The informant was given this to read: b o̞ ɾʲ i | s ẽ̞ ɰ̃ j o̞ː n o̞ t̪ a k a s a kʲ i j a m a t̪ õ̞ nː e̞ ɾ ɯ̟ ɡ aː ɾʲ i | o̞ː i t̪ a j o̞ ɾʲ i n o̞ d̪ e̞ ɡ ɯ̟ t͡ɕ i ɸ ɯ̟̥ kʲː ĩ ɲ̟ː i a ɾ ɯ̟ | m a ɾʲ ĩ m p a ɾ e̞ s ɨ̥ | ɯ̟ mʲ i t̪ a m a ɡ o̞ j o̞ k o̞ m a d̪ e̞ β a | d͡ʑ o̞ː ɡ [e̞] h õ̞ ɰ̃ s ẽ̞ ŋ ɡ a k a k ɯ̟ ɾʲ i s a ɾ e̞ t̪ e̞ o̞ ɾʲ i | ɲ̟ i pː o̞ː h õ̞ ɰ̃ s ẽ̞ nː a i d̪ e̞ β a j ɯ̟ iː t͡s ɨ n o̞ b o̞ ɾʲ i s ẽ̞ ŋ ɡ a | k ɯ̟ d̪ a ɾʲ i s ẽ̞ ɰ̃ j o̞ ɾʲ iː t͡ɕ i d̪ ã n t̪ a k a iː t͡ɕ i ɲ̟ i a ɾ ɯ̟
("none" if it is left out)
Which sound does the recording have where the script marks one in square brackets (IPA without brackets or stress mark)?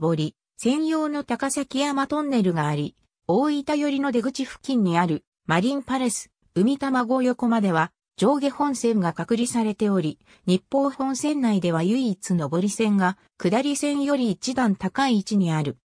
e̞